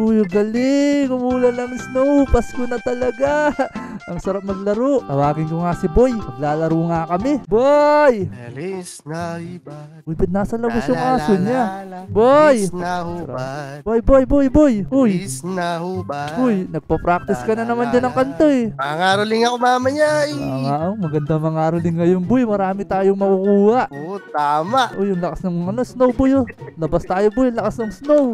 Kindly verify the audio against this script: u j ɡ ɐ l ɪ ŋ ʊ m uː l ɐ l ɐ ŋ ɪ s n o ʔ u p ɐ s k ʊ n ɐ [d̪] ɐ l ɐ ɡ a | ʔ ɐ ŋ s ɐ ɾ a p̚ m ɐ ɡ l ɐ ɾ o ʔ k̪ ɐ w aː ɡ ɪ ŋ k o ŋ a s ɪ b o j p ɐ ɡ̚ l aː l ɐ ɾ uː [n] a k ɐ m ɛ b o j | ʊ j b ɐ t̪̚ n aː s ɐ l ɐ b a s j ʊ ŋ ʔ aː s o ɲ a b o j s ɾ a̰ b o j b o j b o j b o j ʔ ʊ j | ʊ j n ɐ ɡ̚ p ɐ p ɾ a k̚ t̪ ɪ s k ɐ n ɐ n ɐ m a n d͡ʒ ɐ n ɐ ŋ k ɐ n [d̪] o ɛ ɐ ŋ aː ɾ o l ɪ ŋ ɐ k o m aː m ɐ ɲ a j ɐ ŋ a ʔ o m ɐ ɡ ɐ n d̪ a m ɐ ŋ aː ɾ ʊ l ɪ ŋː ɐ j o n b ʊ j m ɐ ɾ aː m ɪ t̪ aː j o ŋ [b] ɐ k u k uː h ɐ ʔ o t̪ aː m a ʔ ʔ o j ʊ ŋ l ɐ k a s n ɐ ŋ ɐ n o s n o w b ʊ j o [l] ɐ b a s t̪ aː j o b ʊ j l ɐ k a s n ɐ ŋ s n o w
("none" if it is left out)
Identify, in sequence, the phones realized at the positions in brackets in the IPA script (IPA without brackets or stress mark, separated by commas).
t̪, ŋ, t̪, m, l